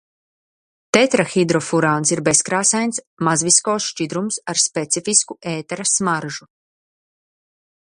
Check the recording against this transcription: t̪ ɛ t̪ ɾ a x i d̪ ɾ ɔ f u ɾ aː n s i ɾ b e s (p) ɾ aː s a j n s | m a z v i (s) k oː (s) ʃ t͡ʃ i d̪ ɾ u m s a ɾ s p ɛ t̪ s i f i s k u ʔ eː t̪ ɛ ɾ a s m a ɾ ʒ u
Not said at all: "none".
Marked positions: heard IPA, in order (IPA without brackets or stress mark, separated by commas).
k, s, s